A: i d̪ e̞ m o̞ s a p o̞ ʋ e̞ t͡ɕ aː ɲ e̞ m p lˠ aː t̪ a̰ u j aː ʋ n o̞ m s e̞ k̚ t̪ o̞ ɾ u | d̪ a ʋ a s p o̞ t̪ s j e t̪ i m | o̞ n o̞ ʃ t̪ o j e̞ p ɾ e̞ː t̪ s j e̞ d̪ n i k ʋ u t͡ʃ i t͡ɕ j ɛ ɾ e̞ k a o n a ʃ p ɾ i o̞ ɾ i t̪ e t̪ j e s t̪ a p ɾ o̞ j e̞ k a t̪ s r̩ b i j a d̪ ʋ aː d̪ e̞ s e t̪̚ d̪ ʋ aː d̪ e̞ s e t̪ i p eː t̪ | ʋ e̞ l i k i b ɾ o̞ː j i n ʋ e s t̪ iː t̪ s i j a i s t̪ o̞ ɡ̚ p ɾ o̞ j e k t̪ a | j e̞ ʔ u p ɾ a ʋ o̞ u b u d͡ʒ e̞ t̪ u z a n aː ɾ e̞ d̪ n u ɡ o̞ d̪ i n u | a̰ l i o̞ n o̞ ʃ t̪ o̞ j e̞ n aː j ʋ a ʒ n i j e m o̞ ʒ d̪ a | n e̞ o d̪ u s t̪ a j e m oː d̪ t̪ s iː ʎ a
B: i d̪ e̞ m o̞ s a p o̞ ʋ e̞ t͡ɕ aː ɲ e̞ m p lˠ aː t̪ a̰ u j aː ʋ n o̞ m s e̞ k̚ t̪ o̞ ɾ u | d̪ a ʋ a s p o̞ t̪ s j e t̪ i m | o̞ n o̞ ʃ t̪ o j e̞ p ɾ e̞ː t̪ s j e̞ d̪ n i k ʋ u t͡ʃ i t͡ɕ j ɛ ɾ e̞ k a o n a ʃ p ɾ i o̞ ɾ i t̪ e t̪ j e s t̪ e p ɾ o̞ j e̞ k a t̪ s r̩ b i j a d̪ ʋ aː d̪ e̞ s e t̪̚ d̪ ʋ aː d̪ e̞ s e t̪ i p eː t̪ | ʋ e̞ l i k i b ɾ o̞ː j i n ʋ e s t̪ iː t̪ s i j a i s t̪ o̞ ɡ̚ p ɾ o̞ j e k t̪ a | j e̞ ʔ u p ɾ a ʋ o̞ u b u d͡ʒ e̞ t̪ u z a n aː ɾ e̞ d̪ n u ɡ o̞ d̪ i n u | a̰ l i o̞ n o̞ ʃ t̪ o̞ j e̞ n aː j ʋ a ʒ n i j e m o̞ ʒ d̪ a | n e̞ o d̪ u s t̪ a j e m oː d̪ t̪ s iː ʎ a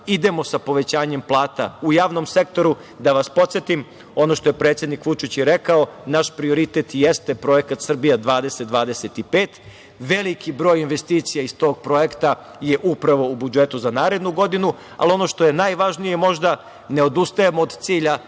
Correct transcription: B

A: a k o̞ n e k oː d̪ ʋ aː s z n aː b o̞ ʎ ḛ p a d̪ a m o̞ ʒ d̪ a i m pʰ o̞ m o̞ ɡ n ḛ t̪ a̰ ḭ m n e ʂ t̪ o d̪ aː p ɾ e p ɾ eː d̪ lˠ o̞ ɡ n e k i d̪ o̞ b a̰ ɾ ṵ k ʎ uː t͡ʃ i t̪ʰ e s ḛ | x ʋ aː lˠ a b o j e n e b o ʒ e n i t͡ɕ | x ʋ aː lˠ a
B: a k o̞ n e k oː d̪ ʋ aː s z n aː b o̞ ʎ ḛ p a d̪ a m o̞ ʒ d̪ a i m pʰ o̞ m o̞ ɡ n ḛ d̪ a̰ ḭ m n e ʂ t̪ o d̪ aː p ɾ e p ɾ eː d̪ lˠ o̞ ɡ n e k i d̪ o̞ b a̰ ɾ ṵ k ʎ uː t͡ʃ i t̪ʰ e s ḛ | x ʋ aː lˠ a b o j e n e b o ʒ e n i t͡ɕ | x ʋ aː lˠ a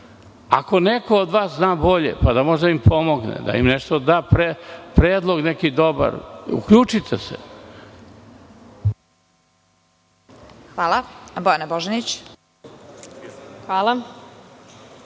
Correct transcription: B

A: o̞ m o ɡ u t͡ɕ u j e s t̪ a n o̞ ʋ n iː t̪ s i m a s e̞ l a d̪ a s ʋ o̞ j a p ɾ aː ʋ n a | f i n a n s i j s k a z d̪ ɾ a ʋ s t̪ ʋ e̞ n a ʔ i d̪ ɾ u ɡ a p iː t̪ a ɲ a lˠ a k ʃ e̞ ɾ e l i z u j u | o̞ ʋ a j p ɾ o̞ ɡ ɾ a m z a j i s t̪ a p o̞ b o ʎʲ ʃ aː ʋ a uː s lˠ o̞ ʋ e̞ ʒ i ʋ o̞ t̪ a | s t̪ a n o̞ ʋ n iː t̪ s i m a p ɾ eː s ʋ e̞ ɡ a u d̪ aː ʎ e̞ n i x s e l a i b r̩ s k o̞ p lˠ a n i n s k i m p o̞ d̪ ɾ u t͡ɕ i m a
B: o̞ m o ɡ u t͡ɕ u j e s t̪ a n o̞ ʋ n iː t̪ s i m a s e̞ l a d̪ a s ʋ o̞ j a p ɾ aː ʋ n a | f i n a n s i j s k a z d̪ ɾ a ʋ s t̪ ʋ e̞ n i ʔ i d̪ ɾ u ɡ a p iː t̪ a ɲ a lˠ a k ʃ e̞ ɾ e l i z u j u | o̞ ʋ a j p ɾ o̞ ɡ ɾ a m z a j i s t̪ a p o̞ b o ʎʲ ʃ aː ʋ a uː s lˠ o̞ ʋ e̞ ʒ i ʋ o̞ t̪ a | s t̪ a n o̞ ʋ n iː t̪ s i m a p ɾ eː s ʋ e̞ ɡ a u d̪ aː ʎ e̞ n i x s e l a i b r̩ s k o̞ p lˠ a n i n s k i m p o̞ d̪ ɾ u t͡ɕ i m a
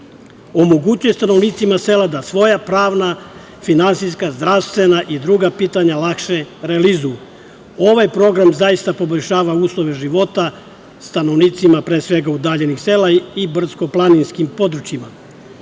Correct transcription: A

